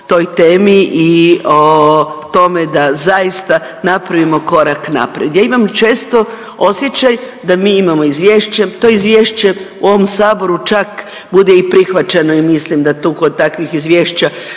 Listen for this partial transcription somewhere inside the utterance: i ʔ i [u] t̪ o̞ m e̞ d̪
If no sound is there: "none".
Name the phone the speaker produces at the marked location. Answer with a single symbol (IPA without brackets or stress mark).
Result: o